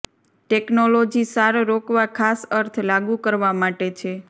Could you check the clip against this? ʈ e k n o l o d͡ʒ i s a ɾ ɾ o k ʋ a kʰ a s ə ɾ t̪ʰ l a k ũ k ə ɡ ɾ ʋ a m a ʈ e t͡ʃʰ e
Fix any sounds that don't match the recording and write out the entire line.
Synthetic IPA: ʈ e k n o l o d͡ʒ i s a ɾ ɾ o k ʋ a kʰ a s ə ɾ t̪ʰ l a ɡ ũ k ə ɾ ʋ a m a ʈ e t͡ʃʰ e